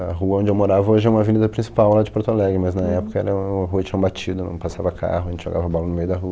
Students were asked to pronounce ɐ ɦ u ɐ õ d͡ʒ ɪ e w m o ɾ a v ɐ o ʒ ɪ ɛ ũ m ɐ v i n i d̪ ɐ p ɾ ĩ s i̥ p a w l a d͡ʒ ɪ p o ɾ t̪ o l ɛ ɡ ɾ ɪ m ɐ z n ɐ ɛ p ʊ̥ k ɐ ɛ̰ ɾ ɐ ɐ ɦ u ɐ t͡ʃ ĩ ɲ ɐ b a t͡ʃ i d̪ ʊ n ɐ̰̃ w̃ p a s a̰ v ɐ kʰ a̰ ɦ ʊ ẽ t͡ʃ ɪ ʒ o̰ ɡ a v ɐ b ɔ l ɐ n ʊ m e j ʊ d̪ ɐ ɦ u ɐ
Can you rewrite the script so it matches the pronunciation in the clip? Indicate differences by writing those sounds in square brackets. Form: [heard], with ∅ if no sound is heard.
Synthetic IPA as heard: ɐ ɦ u ɐ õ d͡ʒ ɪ e w m o ɾ a v ɐ o ʒ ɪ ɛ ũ m ɐ v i n i d̪ ɐ p ɾ ĩ s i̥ p a w l a d͡ʒ ɪ p o ɾ t̪ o l ɛ ɡ ɾ ɪ m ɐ z n ɐ ɛ p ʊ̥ k ɐ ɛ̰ ɾ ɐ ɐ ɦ u ɐ t͡ʃ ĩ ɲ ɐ b a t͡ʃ i d̪ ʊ n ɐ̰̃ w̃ p a s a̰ v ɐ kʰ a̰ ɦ ʊ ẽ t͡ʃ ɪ ʒ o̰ ɡ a v ɐ b ɔ l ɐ n ʊ m e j ʊ d̪ ɐ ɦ u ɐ